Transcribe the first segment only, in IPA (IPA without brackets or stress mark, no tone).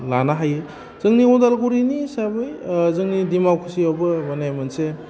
l